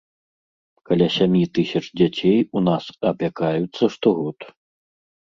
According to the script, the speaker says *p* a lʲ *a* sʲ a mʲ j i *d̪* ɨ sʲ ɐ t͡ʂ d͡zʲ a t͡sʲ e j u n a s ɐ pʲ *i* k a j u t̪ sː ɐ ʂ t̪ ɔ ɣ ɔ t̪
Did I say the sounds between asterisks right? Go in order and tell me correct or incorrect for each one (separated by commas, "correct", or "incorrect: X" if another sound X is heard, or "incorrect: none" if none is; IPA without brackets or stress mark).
incorrect: k, correct, incorrect: t̪, incorrect: a